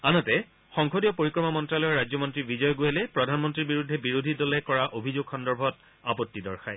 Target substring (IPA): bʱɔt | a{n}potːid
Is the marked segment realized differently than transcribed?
yes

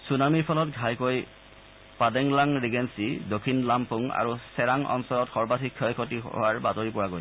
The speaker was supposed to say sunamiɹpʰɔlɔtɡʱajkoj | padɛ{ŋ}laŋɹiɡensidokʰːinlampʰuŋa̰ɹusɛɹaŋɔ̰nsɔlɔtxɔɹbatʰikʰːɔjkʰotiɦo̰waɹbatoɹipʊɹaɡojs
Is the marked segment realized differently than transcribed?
no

